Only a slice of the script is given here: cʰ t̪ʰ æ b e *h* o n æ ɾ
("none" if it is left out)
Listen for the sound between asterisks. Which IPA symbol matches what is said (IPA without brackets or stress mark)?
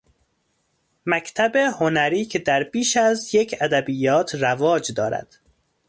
h